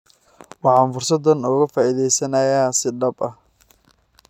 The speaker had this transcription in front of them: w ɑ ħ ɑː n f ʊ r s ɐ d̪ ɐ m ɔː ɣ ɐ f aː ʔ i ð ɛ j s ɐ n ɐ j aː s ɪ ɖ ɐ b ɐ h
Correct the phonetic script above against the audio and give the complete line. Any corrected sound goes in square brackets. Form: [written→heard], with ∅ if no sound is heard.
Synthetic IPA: w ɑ ħ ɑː n f ʊ r s ɐ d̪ ɐ [m→n] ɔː ɣ ɐ f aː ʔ i ð ɛ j s ɐ n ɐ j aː s ɪ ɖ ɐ b ɐ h